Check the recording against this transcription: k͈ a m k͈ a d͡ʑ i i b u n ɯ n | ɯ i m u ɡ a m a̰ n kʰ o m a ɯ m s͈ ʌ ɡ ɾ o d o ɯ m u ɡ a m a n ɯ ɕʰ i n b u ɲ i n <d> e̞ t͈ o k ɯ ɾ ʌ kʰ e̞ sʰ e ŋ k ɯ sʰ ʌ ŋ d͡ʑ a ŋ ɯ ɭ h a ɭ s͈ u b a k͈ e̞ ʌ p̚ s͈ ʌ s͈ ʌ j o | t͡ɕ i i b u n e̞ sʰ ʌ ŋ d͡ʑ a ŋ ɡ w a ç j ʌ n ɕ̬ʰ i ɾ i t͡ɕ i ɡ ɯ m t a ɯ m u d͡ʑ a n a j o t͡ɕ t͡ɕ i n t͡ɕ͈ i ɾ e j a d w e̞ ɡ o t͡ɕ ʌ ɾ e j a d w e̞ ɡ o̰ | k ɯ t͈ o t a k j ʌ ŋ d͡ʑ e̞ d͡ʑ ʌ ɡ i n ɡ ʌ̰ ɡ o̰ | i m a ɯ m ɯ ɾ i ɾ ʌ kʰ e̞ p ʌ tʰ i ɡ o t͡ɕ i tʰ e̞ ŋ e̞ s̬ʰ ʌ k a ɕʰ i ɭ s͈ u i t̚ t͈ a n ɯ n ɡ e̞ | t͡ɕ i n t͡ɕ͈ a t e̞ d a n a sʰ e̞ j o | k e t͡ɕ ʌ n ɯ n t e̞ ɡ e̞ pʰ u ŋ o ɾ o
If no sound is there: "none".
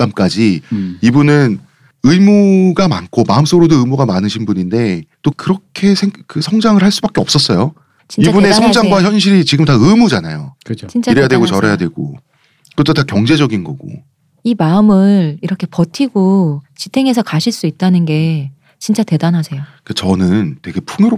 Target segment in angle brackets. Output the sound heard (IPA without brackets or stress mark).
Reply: d